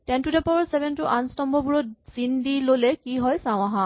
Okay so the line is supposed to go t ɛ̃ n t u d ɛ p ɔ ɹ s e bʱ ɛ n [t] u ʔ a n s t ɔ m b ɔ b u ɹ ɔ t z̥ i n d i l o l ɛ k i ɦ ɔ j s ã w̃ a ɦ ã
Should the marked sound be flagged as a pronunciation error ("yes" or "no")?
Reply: no